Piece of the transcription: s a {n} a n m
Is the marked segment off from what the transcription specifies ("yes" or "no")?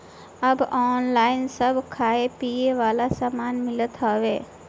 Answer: yes